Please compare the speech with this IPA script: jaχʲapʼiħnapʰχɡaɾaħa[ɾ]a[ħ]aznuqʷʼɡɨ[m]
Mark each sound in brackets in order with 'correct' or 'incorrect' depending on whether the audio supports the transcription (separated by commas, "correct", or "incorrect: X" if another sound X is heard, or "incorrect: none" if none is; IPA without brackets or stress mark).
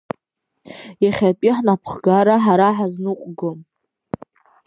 correct, correct, correct